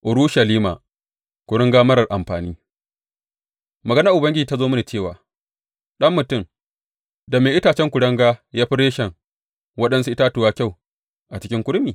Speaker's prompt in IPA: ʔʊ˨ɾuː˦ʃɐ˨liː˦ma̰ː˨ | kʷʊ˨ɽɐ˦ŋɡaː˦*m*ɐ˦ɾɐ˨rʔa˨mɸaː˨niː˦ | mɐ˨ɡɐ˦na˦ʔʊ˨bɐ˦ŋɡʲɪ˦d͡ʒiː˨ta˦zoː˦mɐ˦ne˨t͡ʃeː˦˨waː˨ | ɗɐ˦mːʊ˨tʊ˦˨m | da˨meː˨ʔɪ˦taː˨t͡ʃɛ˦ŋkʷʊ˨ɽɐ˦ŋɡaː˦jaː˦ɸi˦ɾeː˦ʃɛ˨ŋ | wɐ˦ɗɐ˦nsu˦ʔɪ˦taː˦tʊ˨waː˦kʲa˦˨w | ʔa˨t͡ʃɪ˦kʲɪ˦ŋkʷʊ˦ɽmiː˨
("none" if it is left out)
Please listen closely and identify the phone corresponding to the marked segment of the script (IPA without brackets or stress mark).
m